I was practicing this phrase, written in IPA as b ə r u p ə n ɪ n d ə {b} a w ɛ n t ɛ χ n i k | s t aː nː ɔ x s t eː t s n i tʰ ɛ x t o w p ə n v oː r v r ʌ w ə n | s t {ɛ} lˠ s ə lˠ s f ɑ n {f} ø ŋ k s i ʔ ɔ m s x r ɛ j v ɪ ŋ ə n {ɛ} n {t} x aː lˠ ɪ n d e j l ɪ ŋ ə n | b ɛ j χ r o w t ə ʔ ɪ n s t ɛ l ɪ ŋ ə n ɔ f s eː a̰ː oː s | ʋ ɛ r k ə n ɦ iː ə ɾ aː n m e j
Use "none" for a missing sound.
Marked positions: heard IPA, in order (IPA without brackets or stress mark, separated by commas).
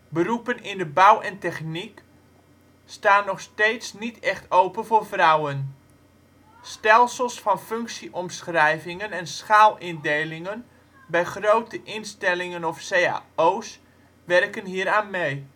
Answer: b, ɛ, f, ɛ, s